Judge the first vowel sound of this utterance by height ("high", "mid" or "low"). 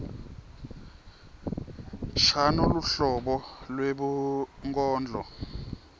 low